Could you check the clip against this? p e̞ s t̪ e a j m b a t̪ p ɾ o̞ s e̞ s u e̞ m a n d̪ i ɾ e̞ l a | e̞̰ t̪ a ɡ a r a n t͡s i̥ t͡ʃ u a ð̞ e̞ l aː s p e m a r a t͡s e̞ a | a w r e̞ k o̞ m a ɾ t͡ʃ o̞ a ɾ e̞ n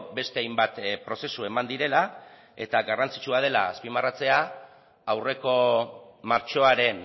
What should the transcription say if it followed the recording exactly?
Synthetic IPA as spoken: b e̞ s t̪ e a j m b a t̪ p ɾ o̞ s e̞ s u e̞ m a n d̪ i ɾ e̞ l a | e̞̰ t̪ a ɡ a r a n t͡s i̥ t͡ʃ u a ð̞ e̞ l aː s p i m a r a t͡s e̞ a | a w r e̞ k o̞ m a ɾ t͡ʃ o̞ a ɾ e̞ n

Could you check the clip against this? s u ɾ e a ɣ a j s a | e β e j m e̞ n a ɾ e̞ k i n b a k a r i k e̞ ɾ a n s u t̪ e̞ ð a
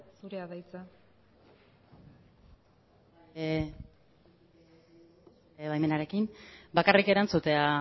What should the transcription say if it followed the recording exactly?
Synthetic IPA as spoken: s u ɾ e a ð a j t͡s a | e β a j m e̞ n a ɾ e̞ k i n b a k a r i k e̞ ɾ a n t͡s u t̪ e̞ a

